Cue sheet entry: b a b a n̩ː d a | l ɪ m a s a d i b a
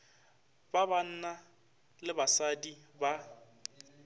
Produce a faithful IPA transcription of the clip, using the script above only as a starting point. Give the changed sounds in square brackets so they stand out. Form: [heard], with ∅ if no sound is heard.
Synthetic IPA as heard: b a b a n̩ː [n] a | l ɪ [b] a s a d i b a